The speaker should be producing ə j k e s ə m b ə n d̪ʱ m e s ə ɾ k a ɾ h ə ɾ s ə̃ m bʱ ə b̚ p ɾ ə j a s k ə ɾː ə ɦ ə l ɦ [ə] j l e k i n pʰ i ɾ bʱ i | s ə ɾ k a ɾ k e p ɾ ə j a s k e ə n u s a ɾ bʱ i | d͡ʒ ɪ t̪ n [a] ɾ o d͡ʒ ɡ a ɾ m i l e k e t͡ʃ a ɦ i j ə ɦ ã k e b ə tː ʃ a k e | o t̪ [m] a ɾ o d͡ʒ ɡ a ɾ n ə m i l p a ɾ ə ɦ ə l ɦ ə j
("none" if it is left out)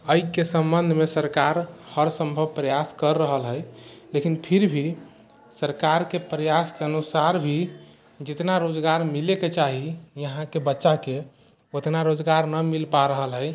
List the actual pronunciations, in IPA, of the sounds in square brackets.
ə, a, n

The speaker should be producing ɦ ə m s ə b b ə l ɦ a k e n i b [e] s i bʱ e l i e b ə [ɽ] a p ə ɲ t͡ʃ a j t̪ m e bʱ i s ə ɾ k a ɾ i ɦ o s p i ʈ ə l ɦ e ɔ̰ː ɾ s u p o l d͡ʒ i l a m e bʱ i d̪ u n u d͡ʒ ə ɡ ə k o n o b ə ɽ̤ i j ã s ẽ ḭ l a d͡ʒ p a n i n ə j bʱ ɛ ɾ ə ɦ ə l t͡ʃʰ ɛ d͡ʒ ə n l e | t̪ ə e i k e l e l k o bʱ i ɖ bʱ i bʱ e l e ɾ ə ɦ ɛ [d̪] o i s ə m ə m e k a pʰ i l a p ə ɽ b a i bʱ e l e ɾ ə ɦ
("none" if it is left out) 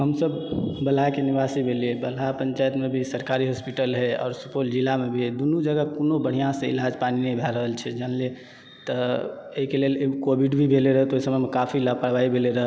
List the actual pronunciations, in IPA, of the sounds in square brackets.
a, l, t̪

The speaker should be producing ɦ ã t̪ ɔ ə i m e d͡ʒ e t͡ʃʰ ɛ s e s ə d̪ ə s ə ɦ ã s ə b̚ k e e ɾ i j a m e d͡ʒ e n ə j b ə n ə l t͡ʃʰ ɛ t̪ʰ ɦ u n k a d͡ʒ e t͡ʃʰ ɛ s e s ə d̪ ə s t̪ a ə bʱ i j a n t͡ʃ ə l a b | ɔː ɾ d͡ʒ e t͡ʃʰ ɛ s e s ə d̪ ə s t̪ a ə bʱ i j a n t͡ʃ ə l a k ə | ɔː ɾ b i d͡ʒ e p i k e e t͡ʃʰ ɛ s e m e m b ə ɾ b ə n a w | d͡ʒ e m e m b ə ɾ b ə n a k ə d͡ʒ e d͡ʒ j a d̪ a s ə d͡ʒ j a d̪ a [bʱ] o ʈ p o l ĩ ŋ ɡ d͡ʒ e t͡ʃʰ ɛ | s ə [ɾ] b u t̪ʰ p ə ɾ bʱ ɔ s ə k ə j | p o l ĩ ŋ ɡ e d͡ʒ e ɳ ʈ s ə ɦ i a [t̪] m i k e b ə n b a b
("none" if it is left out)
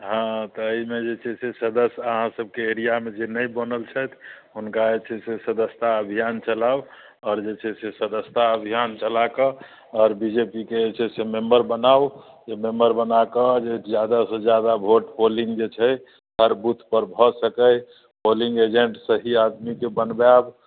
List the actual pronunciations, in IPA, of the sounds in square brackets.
bʱ, ɾ, d̪

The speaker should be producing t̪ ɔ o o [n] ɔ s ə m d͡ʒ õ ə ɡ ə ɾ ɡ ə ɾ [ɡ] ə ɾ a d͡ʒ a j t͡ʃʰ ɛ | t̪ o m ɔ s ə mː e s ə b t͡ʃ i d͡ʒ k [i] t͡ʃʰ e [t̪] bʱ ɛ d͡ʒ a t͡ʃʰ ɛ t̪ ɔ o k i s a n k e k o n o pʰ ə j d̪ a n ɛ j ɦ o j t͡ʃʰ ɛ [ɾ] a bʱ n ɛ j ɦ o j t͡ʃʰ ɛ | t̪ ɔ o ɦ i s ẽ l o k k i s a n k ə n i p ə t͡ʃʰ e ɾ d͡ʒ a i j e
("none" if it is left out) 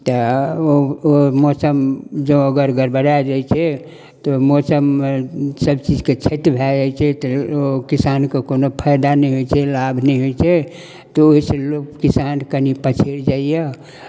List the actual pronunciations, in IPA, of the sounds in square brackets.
m, b, e, t̪, l

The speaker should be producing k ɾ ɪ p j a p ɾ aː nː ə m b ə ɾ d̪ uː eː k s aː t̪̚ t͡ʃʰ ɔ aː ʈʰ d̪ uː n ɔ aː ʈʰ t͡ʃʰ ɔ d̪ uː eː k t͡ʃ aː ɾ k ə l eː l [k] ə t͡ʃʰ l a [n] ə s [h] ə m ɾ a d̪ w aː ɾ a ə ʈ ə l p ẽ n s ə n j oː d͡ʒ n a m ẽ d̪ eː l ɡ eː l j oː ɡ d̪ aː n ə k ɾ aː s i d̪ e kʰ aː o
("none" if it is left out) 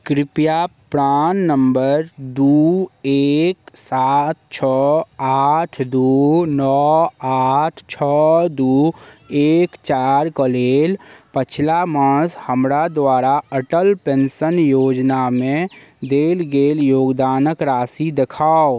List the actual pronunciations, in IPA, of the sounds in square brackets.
p, m, h

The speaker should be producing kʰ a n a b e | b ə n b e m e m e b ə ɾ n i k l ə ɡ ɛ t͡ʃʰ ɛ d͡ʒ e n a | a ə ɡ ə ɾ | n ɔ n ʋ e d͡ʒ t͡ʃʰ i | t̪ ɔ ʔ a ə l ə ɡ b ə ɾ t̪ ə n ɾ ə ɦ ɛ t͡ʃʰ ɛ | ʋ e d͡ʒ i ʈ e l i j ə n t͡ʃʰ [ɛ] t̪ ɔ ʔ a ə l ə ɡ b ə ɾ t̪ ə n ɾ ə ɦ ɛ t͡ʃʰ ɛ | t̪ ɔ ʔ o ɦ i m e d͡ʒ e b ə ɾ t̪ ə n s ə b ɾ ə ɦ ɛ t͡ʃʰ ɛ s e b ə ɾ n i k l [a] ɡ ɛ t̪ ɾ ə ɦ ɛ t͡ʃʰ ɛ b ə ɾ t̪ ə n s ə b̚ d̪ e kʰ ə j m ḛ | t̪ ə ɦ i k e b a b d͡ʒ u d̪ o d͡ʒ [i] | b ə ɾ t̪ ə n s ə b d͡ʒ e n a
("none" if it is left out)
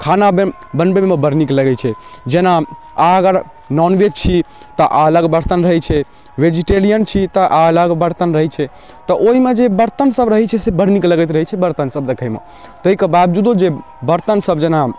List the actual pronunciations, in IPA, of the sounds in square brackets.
i, ə, e

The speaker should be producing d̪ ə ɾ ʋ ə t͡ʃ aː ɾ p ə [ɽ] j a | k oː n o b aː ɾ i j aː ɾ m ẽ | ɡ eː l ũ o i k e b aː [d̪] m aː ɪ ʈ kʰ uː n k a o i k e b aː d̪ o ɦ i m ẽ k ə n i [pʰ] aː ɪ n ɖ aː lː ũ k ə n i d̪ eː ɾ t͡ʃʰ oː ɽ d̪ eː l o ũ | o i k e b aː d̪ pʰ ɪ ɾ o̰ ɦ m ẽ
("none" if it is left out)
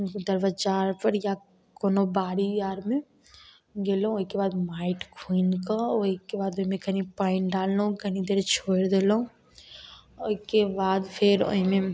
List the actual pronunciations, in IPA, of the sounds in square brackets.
ɾ, d̪, p

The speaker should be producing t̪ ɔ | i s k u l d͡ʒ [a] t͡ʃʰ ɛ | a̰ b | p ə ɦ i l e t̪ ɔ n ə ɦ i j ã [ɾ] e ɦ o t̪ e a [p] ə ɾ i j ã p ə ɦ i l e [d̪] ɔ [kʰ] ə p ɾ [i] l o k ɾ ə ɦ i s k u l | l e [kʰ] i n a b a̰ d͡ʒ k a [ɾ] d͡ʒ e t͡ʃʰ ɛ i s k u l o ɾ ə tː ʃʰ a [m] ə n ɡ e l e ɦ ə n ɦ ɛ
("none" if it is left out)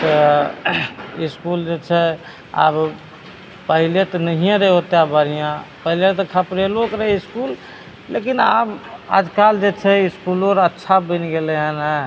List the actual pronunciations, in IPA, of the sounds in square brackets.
e, ɾ, b, t̪, kʰ, e, k, l, b

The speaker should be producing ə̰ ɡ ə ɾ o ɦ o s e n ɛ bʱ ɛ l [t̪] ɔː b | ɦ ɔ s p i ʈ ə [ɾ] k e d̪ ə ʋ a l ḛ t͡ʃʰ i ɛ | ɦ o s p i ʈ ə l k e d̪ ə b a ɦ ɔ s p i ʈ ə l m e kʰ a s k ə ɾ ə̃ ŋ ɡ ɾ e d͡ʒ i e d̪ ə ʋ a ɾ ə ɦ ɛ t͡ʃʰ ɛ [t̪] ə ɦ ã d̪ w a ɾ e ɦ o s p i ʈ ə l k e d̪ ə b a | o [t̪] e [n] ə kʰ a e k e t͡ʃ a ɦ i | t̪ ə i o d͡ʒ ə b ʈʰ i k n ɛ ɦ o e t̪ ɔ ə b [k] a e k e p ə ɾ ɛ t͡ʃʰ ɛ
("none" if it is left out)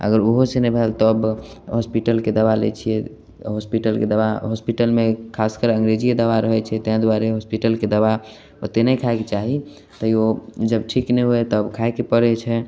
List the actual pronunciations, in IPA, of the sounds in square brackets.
t̪, l, t̪, t̪, n, kʰ

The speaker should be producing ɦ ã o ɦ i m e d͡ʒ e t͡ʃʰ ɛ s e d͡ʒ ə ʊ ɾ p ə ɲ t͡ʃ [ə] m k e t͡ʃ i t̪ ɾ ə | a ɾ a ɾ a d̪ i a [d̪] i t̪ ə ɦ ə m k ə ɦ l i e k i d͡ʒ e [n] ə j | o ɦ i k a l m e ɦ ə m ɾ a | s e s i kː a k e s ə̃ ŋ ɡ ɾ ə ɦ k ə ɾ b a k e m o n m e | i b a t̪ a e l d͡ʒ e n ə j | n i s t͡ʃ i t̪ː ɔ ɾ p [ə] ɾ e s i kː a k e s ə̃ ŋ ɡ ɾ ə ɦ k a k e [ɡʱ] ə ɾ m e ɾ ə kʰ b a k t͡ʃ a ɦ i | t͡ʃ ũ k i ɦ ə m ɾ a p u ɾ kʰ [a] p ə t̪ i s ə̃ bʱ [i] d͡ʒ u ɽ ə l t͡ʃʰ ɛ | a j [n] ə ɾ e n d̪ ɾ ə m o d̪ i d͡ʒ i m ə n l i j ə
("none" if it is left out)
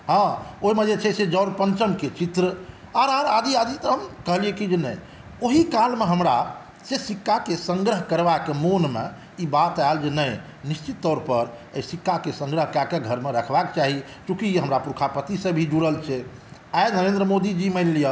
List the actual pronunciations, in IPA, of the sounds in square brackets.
ə, d̪, n, ə, ɡʱ, a, i, n

